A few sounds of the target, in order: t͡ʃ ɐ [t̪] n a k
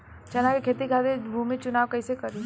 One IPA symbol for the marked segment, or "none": none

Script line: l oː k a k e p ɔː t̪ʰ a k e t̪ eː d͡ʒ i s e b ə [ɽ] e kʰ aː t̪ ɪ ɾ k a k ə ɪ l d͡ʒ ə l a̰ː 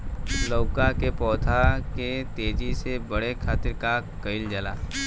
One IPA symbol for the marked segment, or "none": ɽ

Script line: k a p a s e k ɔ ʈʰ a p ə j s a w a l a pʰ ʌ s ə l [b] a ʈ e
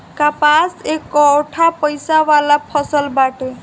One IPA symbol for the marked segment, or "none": b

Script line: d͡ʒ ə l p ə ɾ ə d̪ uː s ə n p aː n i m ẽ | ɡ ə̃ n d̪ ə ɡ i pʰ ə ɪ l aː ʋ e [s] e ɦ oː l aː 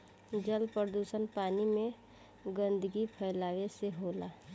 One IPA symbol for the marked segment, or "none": s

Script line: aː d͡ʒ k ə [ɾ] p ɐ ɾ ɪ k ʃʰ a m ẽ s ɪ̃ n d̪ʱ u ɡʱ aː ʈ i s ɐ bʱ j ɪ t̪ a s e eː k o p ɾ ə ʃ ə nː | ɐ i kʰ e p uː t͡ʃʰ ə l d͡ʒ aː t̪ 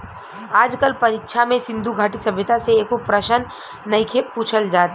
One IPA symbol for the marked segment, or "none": l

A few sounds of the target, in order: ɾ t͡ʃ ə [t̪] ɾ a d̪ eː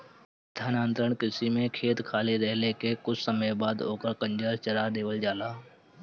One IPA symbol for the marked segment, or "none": none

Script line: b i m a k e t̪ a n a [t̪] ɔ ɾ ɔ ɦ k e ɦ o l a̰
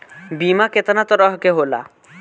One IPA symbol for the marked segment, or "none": t̪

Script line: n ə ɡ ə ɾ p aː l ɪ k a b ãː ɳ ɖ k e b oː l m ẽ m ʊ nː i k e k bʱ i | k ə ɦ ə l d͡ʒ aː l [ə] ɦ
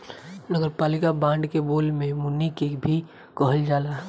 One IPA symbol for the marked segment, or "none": a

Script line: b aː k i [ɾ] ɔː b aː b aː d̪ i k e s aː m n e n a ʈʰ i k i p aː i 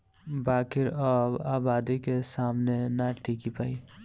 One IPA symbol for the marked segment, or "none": ɾ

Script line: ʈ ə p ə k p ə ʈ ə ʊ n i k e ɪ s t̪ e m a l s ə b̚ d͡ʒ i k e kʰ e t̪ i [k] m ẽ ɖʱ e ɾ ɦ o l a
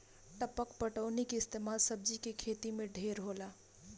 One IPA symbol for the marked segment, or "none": none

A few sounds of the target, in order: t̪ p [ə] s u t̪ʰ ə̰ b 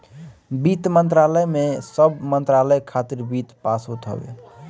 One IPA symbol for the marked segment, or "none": a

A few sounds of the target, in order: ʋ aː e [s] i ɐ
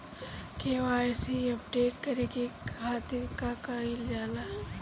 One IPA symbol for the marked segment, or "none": s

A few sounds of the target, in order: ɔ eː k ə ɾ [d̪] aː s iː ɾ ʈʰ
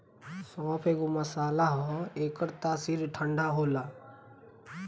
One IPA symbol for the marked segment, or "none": t̪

